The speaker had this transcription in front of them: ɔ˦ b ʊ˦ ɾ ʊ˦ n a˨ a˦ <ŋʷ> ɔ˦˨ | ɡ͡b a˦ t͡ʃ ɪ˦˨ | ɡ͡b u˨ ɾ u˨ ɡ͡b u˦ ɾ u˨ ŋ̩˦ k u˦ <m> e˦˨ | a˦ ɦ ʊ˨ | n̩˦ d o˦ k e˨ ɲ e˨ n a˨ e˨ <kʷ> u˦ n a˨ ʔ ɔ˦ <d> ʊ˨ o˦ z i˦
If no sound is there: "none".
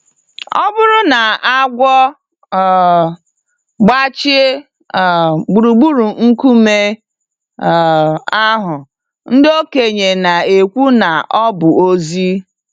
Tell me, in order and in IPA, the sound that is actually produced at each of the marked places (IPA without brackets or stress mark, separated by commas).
ɡʷ, m, kʷ, b